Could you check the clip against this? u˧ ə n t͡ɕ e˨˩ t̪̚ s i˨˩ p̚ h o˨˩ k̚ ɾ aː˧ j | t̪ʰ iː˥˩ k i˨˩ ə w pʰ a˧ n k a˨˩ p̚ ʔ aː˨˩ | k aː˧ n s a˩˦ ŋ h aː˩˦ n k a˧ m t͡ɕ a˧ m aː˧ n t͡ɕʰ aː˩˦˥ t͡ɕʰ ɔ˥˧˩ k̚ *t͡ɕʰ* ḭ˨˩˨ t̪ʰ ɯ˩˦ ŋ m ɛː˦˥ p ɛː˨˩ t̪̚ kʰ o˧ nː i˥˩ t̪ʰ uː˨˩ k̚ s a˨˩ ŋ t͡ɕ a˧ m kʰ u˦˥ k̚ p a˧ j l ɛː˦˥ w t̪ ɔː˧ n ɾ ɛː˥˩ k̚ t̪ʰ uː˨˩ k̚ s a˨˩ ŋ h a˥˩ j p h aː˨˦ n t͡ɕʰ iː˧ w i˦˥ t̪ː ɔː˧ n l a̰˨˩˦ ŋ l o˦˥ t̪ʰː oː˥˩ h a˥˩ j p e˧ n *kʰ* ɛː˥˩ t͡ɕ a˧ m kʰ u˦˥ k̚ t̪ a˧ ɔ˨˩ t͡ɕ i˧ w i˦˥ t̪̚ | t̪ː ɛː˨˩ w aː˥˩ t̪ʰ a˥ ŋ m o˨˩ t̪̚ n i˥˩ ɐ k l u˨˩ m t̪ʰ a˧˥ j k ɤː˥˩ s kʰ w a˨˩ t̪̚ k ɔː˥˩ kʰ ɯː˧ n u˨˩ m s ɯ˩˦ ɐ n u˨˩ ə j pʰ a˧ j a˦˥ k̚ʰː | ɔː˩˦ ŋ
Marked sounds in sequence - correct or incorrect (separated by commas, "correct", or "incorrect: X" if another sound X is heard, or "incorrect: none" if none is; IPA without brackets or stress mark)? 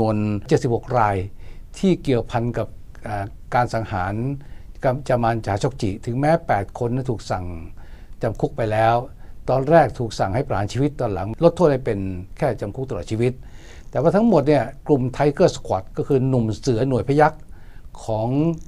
incorrect: t͡ɕ, correct